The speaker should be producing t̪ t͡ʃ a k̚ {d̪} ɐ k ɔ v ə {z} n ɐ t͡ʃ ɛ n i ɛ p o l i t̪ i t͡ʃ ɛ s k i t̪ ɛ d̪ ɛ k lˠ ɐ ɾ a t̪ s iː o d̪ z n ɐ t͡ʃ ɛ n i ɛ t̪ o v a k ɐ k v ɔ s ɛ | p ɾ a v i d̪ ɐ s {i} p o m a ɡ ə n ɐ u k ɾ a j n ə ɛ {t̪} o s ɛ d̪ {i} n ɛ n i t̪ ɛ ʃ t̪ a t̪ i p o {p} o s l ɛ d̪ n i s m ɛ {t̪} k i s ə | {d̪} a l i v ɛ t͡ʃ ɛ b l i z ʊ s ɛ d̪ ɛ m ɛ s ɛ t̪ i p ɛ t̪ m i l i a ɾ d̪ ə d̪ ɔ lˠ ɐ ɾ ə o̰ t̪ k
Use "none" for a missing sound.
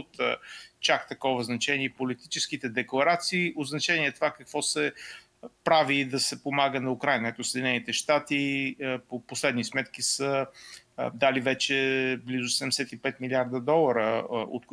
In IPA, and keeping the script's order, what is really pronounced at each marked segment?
t̪, z, ɛ, t̪, i, p, t̪, d̪

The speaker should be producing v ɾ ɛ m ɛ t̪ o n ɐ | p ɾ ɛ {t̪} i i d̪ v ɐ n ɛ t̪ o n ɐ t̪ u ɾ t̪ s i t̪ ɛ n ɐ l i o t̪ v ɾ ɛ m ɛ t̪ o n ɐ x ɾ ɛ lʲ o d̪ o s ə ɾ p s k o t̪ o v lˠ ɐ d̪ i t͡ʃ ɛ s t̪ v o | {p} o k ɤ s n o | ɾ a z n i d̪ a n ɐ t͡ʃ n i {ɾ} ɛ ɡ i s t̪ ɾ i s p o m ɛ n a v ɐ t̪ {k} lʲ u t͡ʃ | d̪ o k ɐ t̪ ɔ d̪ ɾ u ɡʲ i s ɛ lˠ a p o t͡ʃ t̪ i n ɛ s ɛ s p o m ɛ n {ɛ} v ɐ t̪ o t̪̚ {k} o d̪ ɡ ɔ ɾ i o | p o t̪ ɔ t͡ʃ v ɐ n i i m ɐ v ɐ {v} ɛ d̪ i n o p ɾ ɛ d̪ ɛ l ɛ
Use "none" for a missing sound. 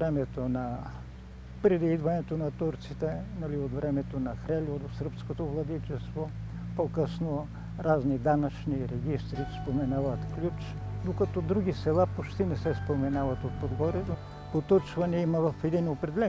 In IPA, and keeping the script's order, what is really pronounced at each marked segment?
d̪, p, ɾ, k, a, p, f

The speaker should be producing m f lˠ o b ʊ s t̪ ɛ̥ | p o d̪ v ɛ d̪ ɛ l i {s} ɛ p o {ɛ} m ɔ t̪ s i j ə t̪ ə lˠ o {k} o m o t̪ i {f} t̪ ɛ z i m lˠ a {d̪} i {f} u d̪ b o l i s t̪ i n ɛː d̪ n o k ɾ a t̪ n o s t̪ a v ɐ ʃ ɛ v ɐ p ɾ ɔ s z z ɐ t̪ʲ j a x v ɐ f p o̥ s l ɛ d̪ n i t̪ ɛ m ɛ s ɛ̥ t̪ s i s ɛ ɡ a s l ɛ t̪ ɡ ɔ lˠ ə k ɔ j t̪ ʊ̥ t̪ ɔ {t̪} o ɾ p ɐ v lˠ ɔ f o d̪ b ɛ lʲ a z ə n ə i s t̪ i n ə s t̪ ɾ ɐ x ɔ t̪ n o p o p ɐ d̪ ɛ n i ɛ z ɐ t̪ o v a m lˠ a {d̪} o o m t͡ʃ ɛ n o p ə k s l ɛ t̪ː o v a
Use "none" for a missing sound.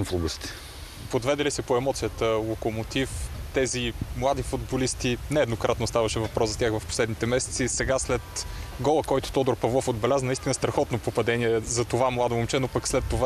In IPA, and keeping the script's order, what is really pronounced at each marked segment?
s, ɛ, k, f, d̪, f, d̪, d̪

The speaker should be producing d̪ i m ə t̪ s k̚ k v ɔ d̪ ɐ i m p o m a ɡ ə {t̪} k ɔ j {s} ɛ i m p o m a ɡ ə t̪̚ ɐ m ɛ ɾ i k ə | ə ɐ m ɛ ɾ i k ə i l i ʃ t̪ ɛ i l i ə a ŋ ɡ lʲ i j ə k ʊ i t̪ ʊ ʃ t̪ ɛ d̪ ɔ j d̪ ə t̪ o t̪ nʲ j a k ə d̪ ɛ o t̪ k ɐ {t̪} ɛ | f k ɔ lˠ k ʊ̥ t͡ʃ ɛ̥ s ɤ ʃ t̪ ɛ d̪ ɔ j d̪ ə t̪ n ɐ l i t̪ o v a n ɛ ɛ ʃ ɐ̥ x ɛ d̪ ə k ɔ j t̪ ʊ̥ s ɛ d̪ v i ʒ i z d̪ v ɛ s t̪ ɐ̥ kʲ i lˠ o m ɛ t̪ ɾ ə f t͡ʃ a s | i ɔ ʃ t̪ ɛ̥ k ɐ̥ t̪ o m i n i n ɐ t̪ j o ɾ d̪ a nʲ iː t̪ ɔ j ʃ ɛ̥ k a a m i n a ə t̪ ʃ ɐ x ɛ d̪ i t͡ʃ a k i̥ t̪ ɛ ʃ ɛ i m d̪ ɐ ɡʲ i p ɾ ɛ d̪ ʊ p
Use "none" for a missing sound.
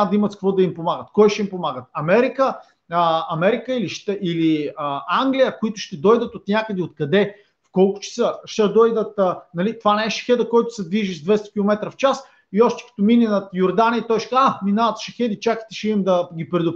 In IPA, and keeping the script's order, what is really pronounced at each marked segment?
t̪, ʃ, d̪

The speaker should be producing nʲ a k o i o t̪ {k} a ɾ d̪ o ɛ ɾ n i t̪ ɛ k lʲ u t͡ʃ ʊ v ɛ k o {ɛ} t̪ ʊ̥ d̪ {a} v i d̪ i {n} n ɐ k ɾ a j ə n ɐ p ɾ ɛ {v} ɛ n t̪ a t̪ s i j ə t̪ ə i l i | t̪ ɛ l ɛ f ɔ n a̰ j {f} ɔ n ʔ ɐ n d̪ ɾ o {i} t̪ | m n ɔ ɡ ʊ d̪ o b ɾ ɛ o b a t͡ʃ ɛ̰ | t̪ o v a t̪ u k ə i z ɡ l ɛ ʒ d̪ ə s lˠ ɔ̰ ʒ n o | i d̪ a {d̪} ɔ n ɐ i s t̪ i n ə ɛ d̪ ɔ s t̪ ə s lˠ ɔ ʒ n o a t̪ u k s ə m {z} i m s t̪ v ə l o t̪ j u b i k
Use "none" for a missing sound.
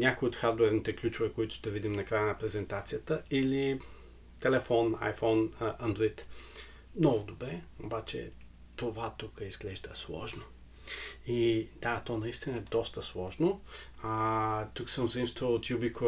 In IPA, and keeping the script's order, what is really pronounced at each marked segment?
x, i, ɐ, m, z, f, i, t̪, z

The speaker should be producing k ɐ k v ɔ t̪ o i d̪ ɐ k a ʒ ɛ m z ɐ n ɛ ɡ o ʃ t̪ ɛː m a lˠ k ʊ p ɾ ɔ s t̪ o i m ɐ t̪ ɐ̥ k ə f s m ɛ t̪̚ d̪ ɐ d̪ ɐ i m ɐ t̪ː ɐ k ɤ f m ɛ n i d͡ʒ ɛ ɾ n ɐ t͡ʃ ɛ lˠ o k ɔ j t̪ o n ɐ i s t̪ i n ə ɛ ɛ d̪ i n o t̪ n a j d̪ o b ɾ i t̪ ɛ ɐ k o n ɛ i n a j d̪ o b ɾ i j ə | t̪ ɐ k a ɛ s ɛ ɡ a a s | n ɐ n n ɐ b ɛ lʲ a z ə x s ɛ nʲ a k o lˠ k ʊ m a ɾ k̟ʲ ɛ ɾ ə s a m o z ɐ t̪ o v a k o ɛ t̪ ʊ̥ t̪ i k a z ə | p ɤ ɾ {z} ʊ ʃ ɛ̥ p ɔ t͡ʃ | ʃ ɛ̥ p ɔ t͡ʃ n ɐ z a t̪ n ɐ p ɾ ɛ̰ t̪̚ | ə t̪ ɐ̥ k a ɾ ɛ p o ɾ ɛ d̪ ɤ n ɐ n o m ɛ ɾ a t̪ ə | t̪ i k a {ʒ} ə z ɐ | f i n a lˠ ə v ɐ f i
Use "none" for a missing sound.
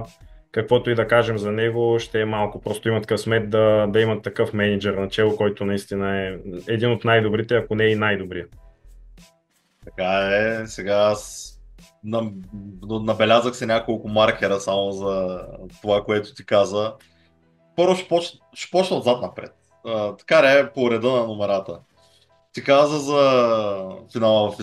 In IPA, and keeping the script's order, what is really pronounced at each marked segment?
v, z

